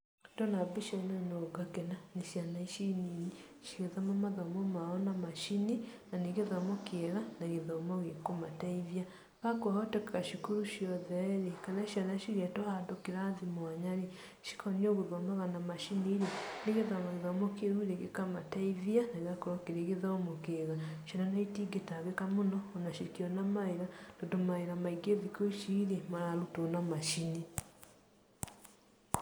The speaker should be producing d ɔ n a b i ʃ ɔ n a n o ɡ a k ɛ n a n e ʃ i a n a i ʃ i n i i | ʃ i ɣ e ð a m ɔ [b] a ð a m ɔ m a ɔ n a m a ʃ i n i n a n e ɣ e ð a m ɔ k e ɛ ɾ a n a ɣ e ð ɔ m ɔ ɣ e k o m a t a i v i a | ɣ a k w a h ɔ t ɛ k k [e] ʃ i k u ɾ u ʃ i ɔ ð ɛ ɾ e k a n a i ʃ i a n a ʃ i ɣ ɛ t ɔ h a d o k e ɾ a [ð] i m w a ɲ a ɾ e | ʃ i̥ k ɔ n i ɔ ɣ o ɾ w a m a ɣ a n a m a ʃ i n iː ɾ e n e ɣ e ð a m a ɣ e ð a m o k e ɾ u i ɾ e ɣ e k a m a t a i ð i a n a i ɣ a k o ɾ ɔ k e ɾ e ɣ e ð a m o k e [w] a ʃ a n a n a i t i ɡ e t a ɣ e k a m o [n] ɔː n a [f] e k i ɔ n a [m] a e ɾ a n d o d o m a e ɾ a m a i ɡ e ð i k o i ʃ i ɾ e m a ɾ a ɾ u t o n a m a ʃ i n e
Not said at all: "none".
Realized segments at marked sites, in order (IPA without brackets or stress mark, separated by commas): m, a, ð, ɣ, n, ʃ, m